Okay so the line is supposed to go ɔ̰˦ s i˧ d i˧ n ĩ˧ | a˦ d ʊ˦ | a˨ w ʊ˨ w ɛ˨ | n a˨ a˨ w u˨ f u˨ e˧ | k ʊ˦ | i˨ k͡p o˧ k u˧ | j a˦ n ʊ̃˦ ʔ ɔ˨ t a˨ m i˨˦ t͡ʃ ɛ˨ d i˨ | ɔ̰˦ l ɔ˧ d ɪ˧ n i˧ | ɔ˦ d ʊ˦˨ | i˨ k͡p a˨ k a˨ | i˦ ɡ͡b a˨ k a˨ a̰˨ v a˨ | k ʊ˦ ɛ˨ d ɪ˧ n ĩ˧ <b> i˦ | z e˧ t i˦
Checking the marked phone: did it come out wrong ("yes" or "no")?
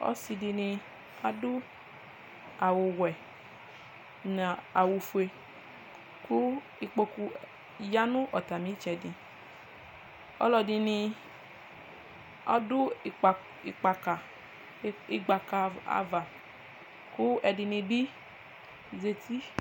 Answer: no